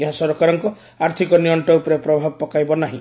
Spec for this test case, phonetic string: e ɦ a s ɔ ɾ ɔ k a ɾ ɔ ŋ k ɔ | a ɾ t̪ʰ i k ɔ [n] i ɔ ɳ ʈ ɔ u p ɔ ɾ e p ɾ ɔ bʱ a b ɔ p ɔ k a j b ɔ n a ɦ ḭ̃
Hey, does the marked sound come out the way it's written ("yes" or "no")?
yes